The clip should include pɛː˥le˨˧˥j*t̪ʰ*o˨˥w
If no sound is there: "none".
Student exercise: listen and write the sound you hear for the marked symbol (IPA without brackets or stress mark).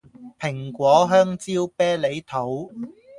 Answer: t̪ʰ